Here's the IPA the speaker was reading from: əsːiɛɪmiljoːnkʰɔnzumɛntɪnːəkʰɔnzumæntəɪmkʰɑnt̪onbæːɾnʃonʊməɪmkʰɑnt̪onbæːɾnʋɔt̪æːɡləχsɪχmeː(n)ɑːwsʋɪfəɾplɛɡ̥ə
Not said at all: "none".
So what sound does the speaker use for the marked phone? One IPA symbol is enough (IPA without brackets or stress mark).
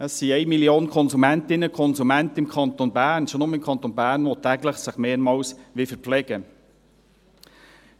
m